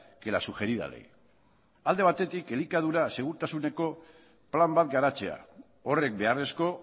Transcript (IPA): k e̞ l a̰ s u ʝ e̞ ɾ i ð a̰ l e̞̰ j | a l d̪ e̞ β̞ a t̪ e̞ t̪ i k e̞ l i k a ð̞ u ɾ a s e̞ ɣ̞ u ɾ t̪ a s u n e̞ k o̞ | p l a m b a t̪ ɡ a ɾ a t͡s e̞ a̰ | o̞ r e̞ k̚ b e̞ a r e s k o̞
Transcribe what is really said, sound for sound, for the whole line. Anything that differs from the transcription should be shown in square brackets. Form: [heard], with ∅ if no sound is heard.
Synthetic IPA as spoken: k e̞ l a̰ s u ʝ e̞ ɾ i ð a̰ l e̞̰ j | a l d̪ e̞ β̞ a t̪ e̞ t̪ i k e̞ l i k a ð̞ u ɾ a s e̞ ɣ̞ u ɾ t̪ a s u n e̞ k o̞ | p l a m b a t̪ ɡ a ɾ a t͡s e̞ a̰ | o̞ r e̞ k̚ b e̞ a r e s k o̞